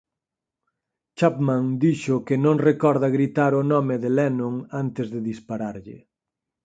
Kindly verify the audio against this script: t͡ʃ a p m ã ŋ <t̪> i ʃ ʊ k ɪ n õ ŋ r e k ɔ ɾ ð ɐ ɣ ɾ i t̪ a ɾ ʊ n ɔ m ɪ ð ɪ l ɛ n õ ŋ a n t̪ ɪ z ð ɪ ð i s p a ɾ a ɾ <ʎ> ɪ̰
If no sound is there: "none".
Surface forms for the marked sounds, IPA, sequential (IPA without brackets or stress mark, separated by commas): d̪, ʎ